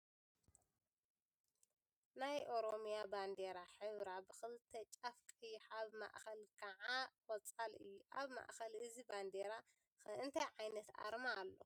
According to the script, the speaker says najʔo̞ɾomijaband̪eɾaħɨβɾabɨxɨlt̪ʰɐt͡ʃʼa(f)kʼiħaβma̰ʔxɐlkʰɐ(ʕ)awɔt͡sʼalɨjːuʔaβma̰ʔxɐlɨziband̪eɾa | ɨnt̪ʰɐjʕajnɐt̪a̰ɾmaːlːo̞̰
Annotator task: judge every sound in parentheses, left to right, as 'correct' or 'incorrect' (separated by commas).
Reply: correct, correct